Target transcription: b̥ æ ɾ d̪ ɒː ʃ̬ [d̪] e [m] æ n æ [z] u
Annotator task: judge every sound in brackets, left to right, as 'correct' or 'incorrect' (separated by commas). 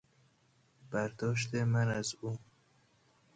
incorrect, correct, correct